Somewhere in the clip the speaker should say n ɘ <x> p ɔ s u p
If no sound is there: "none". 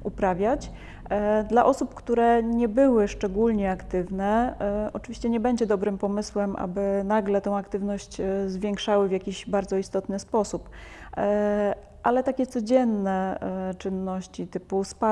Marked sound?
s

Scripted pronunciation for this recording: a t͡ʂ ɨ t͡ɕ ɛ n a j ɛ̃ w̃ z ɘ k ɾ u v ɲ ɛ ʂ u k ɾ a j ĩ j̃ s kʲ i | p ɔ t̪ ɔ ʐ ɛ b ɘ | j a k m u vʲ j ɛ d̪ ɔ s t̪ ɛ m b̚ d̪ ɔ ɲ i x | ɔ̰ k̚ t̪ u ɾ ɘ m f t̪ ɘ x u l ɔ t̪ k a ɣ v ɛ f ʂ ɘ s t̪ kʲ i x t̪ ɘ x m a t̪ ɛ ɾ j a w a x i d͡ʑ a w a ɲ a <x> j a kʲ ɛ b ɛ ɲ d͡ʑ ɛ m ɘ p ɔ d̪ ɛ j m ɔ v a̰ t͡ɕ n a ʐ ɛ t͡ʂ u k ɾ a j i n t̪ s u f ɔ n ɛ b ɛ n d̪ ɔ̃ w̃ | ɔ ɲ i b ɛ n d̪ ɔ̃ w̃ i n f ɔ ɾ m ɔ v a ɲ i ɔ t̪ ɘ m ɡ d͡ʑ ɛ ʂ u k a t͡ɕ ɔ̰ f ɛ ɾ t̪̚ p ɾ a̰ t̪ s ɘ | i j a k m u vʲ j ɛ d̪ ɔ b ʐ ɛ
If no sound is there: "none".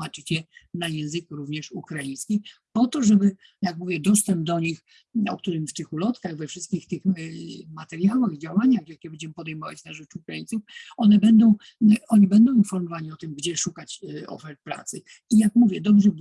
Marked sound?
x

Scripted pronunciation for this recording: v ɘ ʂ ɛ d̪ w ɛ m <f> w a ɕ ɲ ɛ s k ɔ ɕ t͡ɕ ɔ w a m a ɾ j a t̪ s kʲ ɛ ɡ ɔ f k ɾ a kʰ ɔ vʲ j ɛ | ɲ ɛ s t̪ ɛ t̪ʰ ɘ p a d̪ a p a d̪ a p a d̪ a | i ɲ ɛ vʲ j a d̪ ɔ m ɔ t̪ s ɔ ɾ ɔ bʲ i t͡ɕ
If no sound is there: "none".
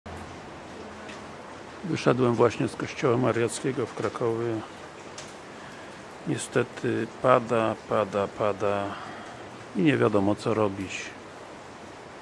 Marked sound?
v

